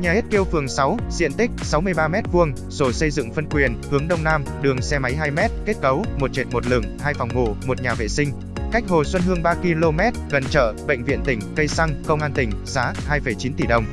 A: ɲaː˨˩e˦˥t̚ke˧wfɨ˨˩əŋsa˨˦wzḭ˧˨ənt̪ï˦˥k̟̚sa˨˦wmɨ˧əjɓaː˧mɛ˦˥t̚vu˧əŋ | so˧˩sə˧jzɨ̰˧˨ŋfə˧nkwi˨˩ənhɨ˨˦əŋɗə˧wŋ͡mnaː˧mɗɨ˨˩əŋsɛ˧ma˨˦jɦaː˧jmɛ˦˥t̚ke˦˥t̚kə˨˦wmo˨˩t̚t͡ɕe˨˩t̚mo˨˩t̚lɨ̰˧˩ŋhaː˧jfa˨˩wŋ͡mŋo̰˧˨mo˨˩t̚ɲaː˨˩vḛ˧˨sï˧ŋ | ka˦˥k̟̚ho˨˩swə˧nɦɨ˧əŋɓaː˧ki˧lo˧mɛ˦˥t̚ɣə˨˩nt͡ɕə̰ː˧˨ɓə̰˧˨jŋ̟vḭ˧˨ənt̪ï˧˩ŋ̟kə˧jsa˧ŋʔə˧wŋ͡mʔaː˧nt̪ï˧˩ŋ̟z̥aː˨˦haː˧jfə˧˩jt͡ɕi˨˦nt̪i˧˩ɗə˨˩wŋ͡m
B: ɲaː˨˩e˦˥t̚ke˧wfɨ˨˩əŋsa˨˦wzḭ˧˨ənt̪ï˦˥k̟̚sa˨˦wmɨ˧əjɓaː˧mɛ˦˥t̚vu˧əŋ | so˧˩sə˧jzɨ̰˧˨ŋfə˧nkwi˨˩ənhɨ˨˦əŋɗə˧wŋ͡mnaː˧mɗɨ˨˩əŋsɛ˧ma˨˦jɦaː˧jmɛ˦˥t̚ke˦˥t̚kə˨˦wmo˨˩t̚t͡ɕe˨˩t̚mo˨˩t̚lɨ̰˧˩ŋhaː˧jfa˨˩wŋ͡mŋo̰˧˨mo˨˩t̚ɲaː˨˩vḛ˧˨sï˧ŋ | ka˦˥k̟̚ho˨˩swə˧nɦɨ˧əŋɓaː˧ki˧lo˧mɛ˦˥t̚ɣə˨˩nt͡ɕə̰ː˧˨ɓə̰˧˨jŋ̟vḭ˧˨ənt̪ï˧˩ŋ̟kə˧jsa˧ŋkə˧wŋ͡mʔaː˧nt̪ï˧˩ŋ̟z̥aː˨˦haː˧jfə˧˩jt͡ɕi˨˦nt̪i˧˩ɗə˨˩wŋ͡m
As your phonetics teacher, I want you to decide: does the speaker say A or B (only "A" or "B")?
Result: B